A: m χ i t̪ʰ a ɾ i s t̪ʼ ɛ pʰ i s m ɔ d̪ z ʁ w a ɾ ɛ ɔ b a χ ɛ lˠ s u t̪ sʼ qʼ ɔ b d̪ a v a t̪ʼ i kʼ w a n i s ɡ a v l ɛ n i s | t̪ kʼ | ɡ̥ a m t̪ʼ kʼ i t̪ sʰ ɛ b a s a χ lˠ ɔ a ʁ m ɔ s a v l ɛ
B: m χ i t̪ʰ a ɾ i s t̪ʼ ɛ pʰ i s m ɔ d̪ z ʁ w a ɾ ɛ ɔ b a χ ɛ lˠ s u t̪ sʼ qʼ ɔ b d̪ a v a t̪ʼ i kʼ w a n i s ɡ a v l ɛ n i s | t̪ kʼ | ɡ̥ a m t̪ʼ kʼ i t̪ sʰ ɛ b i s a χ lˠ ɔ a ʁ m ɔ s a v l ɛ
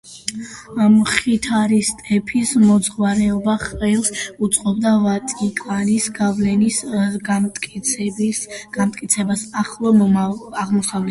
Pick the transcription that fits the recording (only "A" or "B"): A